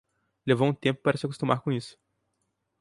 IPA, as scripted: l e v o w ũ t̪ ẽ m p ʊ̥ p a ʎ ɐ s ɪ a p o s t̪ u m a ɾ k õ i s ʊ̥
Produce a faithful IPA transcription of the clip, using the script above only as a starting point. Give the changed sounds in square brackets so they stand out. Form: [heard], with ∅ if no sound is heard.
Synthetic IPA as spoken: l e v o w ũ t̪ ẽ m p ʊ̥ p a [ɾ] ɐ s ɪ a [k] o s t̪ u m a ɾ k õ i s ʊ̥